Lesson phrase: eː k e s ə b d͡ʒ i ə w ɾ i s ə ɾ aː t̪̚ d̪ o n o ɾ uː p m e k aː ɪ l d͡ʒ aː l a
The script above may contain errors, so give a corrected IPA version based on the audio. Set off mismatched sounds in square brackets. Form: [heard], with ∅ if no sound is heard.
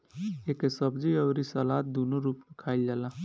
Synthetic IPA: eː k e s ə b d͡ʒ i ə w ɾ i s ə [l] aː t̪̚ d̪ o n o ɾ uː p m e [kʰ] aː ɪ l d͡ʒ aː l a